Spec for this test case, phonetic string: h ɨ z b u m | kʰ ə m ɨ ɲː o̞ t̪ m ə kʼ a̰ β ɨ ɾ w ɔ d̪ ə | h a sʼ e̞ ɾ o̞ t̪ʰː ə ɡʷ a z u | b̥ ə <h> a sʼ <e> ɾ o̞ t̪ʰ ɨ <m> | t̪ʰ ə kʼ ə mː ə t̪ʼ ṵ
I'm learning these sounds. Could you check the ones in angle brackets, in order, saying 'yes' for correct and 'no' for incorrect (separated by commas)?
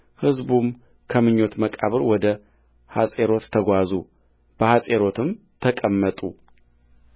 yes, yes, yes